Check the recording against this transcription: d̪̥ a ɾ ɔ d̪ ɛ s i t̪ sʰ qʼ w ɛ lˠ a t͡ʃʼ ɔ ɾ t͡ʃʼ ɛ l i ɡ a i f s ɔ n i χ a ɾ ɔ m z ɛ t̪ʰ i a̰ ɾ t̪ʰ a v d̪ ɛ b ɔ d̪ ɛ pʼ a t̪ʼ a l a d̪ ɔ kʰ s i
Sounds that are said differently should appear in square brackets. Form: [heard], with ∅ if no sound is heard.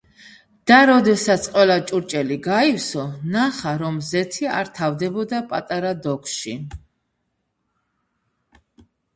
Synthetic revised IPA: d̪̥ a ɾ ɔ d̪ ɛ s [a] t̪ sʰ qʼ w ɛ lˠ a t͡ʃʼ [u] ɾ t͡ʃʼ ɛ l i ɡ a i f s ɔ n [a] χ a ɾ ɔ m z ɛ t̪ʰ i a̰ ɾ t̪ʰ a v d̪ ɛ b ɔ d̪ [a] pʼ a t̪ʼ a [ɾ] a d̪ ɔ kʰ [ʃ] i